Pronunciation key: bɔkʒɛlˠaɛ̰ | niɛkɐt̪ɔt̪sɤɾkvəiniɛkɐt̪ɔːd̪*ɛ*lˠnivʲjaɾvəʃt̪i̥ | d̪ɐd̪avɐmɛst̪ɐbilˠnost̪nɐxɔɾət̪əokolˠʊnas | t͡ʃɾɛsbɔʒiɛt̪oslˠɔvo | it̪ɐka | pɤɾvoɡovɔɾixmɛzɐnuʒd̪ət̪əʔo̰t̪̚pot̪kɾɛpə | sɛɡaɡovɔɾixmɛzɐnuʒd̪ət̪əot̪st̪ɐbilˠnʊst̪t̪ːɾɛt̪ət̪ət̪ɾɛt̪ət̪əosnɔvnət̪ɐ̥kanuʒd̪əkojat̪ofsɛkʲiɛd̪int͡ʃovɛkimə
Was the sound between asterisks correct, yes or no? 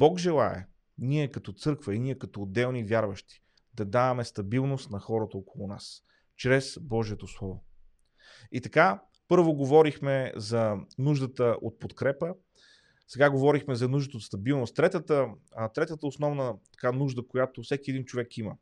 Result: yes